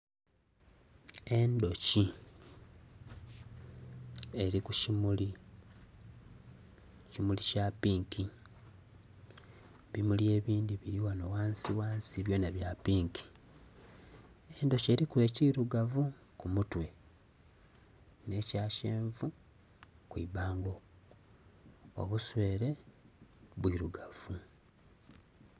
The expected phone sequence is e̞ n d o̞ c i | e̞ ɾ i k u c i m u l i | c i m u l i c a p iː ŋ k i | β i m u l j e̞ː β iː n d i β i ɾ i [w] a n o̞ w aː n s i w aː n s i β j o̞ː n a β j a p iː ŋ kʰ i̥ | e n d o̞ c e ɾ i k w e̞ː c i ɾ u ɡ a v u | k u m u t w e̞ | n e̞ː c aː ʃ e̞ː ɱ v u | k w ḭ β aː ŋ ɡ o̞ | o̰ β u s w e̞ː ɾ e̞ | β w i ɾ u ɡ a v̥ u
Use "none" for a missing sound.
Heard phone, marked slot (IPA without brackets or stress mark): w